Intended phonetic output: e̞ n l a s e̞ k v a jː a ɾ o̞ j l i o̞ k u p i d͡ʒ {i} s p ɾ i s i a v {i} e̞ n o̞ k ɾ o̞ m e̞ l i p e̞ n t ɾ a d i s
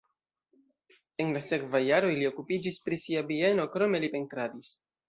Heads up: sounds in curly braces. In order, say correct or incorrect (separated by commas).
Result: correct, correct